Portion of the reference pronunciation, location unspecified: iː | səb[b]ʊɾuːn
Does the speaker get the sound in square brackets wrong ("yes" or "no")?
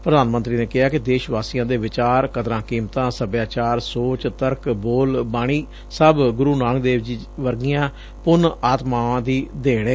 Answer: yes